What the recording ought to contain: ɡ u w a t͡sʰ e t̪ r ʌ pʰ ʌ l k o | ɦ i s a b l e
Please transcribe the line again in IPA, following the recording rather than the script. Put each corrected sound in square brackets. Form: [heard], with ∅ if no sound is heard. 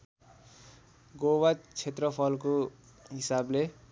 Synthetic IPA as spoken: ɡ [o] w a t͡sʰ e t̪ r ʌ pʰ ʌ l k o | ɦ i s a b l e